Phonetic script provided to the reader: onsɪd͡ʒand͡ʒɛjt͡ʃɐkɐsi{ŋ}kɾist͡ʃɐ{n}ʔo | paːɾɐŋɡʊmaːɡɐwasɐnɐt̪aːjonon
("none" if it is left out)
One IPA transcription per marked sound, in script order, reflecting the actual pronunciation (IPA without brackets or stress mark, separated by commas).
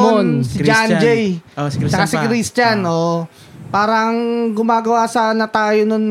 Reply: none, n